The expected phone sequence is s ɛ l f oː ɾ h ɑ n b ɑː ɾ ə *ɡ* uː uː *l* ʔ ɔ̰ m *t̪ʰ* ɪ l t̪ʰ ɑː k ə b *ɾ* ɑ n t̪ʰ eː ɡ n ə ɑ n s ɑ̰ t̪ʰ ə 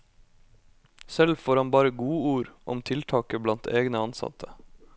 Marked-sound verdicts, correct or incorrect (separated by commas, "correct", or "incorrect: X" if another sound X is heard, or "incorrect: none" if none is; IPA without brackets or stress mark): correct, incorrect: ɾ, correct, incorrect: l